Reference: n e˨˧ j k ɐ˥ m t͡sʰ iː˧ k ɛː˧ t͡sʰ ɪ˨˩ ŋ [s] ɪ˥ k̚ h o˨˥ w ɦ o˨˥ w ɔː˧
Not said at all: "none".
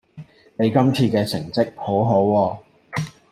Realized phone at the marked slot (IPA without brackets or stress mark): t͡s